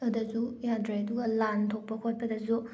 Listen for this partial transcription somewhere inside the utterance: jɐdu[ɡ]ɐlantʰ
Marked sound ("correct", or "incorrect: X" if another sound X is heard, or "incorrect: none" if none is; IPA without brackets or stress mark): correct